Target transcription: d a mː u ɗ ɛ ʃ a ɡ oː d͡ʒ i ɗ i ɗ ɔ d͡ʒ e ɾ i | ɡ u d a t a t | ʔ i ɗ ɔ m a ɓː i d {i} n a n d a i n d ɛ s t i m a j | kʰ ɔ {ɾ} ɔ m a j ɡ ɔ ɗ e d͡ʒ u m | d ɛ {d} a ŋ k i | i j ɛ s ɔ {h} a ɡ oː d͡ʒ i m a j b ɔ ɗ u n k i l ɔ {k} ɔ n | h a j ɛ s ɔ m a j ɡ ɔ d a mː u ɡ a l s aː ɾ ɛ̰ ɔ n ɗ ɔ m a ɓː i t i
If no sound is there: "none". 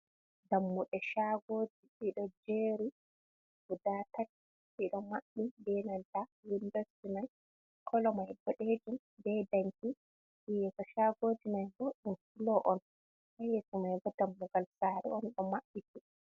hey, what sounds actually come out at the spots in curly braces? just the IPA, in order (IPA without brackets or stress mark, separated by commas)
ɛ, l, d, ʃ, ʔ